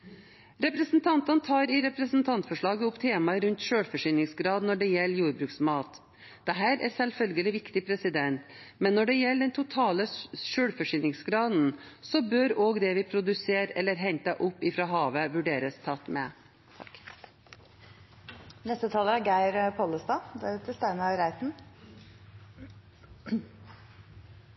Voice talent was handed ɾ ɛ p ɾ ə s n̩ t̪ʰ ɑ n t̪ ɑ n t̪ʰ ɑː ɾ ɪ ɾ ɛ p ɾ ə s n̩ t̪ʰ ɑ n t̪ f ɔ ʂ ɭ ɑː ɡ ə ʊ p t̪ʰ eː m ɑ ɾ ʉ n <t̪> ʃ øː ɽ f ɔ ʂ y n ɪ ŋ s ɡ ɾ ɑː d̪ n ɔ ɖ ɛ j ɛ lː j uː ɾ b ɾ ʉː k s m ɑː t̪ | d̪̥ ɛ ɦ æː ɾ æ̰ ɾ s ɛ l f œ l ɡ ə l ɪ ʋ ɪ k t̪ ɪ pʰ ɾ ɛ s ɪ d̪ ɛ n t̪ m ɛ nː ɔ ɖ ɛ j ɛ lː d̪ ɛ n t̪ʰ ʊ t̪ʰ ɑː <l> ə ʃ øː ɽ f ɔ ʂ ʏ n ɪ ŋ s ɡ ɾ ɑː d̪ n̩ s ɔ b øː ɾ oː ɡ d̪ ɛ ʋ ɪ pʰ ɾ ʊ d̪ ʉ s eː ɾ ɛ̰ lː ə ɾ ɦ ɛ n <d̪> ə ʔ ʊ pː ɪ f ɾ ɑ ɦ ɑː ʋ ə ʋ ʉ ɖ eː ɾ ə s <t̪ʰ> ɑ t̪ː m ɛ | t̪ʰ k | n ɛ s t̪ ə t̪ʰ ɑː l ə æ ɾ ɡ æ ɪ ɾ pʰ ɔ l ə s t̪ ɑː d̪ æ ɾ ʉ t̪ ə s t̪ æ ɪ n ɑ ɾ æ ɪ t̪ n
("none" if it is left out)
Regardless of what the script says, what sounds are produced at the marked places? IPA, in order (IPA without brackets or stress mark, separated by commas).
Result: t̪, l, t̪, t̪ʰ